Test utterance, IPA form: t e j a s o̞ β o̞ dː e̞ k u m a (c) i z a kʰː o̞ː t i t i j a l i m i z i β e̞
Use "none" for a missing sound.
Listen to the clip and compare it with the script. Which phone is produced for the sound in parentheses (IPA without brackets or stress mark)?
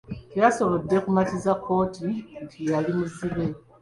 t